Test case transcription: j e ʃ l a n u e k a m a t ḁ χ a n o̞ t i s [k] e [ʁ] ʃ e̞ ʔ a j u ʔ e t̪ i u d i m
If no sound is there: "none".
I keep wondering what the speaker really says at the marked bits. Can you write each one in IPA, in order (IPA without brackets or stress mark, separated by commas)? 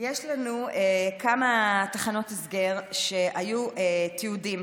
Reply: ɡ, ʁ